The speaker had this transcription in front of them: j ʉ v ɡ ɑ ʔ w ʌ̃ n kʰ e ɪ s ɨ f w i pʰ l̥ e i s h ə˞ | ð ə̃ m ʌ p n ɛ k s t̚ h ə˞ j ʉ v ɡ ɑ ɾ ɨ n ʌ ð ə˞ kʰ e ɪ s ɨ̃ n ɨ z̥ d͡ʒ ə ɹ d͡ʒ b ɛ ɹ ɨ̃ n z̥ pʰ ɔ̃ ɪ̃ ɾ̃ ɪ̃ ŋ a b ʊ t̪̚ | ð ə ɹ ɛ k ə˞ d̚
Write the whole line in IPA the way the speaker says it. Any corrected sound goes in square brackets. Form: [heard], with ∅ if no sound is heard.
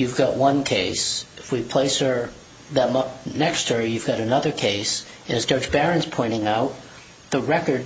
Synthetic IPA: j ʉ v ɡ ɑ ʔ w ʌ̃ n kʰ e ɪ s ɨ f w i pʰ l̥ e [ɪ] s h ə˞ | ð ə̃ m ʌ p n ɛ k s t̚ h ə˞ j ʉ v ɡ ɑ ɾ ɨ n ʌ ð ə˞ kʰ e ɪ s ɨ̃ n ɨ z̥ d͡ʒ [ɑ] ɹ d͡ʒ b ɛ ɹ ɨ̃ n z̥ pʰ ɔ̃ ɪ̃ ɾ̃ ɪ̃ ŋ a [∅] ʊ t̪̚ | ð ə ɹ ɛ k ə˞ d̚